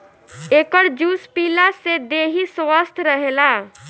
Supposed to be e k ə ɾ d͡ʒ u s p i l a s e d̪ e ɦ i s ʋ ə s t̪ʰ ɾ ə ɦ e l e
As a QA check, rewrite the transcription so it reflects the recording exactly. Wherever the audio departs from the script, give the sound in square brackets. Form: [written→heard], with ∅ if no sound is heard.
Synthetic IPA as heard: e k ə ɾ d͡ʒ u s p i l a s e d̪ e ɦ i s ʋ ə s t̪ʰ ɾ ə ɦ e l [e→a]